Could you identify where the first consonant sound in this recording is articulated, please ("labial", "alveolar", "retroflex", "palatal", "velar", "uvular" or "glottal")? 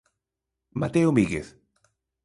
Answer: labial